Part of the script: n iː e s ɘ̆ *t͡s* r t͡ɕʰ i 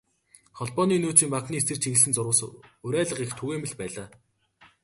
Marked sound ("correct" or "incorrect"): incorrect